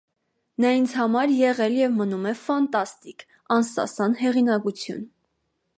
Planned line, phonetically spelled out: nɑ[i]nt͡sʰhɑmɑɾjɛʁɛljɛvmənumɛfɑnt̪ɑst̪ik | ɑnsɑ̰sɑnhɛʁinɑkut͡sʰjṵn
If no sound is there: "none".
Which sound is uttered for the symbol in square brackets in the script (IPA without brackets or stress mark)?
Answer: i